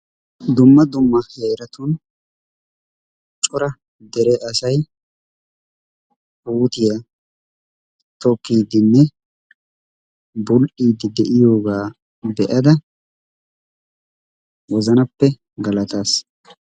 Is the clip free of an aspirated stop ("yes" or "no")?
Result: yes